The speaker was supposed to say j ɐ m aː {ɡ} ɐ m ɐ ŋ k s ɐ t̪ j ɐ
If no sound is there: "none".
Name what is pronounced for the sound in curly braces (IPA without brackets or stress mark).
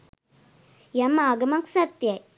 ɡ